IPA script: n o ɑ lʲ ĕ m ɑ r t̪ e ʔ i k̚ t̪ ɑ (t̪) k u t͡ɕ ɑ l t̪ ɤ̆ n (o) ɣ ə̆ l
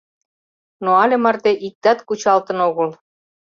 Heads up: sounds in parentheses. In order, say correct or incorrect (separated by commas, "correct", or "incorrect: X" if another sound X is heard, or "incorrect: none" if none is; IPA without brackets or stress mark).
correct, correct